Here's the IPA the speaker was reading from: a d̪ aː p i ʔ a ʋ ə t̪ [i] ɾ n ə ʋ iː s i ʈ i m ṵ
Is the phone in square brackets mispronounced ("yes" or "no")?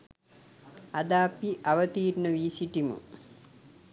yes